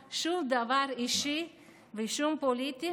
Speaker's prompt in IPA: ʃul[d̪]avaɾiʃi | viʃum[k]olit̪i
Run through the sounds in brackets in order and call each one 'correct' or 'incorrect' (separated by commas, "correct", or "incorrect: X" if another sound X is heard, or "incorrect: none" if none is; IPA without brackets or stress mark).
correct, incorrect: p